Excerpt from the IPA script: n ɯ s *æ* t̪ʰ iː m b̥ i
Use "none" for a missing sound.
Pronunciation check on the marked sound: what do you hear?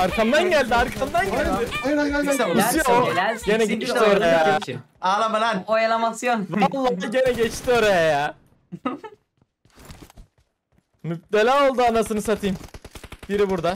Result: a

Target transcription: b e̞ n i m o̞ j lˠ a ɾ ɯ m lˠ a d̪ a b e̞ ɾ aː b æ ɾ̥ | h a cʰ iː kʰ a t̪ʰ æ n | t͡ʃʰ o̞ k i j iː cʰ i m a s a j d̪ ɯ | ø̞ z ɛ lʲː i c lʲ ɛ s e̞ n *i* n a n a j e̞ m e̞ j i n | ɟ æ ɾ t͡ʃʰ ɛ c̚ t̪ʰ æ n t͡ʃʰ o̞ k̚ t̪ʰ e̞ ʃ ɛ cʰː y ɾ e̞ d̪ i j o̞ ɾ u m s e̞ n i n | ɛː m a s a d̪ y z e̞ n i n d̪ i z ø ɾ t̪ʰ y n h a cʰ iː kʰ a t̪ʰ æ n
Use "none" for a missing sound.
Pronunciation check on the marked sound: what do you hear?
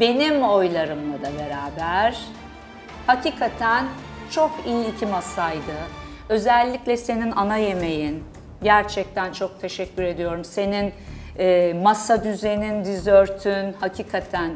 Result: i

